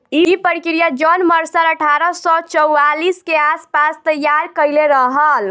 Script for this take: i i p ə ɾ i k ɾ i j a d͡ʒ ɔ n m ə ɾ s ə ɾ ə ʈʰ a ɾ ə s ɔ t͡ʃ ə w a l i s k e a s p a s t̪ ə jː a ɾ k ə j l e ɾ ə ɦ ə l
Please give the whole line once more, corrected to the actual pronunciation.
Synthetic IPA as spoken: i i p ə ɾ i k ɾ i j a d͡ʒ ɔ n m ə ɾ s ə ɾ ə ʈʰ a ɾ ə s ɔ t͡ʃ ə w a l i s k e a s p a s t̪ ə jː a ɾ k ə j l e ɾ ə ɦ ə l